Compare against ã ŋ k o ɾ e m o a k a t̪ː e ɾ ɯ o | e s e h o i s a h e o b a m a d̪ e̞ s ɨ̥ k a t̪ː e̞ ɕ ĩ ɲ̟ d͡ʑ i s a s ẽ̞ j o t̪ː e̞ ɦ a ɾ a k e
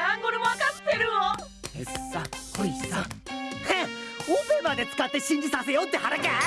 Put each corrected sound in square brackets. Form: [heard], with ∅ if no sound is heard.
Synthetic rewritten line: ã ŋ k o ɾ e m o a k a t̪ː e ɾ ɯ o | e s [a] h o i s a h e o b [e] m a d̪ e̞ [t͡s] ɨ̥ k a t̪ː e̞ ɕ ĩ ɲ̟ d͡ʑ i s a s [e̞] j o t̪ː e̞ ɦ a ɾ a k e